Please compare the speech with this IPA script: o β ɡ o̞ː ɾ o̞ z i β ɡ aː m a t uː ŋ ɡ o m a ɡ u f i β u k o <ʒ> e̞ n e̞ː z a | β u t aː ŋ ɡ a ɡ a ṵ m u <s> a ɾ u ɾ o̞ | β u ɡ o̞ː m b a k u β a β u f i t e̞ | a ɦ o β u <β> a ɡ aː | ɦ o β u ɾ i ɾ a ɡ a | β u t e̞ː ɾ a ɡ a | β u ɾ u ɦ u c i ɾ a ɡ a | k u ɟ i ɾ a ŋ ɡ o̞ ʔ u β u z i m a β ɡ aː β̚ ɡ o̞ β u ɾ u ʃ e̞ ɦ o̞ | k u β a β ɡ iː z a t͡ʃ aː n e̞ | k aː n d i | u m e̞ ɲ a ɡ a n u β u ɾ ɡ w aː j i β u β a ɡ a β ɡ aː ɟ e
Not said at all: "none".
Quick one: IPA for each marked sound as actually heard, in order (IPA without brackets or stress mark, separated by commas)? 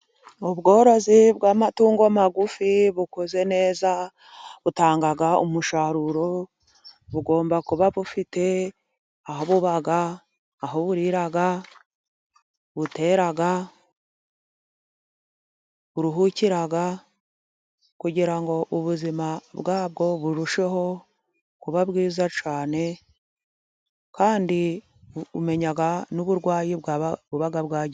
z, ʃ, β